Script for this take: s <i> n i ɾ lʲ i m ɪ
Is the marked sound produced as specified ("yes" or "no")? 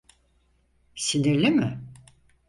yes